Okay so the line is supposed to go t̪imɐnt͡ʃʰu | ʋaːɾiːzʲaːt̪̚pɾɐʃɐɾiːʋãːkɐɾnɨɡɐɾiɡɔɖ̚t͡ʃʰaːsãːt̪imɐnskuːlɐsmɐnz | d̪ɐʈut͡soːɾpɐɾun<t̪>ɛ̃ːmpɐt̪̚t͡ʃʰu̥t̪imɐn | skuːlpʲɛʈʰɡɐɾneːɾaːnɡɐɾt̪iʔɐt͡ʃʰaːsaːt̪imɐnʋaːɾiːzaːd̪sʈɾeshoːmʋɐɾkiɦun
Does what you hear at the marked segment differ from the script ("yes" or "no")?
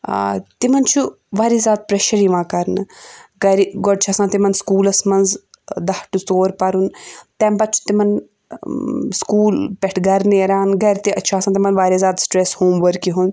no